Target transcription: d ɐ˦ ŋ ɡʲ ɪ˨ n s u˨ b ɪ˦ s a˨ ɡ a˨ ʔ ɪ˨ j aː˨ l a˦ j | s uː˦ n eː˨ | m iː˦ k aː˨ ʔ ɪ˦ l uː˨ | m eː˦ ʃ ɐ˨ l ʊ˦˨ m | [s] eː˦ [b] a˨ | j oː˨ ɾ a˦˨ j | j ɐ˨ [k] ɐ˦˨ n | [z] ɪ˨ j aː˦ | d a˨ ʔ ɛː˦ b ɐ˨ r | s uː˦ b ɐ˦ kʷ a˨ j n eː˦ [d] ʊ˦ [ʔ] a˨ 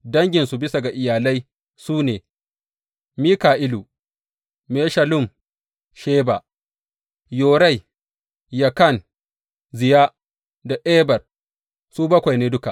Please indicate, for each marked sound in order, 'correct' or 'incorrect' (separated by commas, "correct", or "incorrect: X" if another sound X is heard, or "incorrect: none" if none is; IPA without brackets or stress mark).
incorrect: ʃ, correct, correct, correct, correct, incorrect: k